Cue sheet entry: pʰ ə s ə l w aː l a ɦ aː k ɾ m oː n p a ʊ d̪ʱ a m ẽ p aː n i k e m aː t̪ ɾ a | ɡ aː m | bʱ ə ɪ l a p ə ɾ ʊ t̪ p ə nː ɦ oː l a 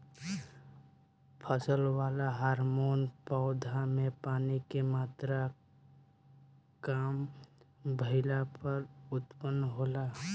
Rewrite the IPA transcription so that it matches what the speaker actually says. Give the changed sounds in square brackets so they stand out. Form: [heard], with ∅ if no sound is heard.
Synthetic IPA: pʰ ə s ə l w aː l a ɦ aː [∅] ɾ m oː n p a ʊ d̪ʱ a m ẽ p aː n i k e m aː t̪ ɾ a | [k] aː m | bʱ ə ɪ l a p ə ɾ ʊ t̪ p ə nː ɦ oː l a